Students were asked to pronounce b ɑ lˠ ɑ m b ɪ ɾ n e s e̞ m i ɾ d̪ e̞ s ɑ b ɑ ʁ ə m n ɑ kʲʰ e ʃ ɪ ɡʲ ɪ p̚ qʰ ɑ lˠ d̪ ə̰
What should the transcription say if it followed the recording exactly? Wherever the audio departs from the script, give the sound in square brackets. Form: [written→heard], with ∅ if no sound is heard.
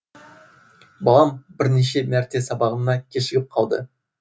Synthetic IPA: b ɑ lˠ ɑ m b ɪ ɾ n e [s→ʃ] e̞ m [i→æ] ɾ [d̪→t̪] e̞ s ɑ b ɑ ʁ ə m n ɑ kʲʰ e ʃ ɪ ɡʲ ɪ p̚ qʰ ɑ lˠ d̪ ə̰